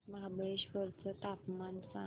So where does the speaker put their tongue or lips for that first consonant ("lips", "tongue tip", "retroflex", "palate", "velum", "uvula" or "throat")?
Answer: lips